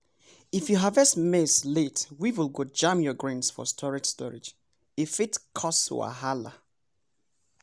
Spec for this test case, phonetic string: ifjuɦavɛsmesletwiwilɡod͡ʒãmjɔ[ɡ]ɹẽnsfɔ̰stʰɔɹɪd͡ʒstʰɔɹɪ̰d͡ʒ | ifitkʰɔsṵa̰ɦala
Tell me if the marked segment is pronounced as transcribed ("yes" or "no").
yes